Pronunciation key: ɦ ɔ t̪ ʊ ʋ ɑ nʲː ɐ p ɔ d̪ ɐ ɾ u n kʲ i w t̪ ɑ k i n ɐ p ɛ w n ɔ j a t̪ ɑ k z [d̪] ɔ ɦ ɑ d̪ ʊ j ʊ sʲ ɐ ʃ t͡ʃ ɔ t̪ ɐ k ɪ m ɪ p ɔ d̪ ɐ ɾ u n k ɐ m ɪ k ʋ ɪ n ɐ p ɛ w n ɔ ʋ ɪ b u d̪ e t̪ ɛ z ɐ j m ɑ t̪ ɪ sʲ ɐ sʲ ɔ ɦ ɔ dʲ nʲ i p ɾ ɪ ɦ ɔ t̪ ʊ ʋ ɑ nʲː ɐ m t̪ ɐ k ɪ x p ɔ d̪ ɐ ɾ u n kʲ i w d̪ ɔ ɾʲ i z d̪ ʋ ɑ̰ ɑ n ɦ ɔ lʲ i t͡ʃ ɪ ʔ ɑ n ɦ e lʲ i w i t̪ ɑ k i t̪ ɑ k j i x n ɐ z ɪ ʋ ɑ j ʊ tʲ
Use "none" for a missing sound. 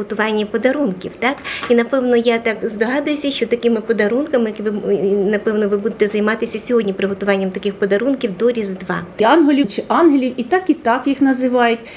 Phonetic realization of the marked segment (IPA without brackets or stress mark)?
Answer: d̪